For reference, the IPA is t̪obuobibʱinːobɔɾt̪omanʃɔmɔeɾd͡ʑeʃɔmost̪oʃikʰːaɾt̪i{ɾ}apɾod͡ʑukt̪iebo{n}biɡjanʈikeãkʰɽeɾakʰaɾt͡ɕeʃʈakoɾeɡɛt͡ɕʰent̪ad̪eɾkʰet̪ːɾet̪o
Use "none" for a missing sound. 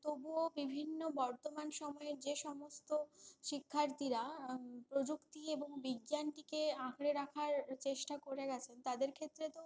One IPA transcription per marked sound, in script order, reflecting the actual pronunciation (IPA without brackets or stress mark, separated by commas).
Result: ɾ, ŋ